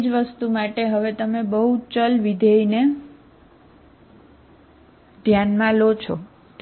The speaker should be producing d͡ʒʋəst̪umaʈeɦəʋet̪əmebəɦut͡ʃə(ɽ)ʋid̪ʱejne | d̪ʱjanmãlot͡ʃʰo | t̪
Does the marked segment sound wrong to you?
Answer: yes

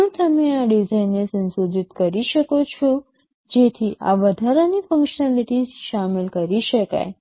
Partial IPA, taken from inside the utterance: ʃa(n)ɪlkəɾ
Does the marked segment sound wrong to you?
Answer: yes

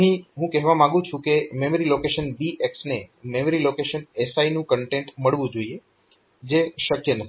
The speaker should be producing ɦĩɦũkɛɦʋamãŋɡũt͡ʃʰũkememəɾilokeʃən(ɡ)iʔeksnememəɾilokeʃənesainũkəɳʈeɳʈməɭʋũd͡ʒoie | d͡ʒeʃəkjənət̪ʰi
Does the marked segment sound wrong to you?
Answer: yes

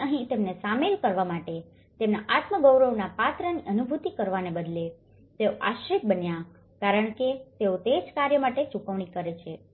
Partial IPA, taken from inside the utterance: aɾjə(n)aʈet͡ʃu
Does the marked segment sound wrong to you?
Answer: yes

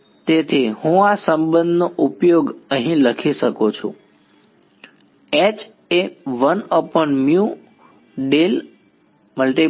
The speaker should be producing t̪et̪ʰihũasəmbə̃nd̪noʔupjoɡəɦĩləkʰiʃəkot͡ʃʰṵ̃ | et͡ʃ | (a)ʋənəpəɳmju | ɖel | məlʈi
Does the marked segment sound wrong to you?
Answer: yes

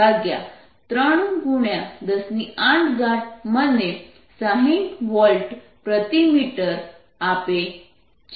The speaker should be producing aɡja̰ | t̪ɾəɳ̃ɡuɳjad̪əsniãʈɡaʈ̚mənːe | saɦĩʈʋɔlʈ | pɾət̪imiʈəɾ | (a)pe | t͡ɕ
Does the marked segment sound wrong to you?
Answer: no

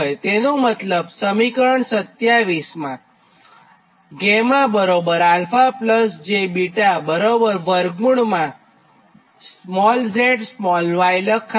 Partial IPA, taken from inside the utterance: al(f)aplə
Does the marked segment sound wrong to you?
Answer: no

